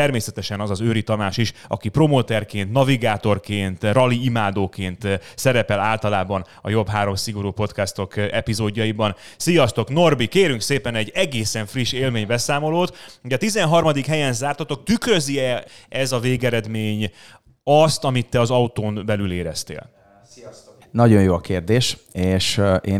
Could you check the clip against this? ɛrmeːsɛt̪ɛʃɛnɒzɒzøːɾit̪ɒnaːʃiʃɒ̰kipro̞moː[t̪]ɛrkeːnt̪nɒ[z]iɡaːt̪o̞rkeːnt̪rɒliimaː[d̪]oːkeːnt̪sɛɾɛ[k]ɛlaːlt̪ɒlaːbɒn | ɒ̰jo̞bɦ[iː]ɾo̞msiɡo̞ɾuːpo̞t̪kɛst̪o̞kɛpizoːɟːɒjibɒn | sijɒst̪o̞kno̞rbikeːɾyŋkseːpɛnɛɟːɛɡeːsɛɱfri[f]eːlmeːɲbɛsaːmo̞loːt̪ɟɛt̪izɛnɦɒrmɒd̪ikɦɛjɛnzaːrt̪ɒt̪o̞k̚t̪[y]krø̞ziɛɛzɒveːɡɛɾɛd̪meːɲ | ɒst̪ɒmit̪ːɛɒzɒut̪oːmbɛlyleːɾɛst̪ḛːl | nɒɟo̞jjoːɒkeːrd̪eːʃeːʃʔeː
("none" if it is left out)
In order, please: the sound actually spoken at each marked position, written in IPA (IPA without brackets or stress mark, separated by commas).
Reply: t̪, v, d̪, p, aː, ʃ, y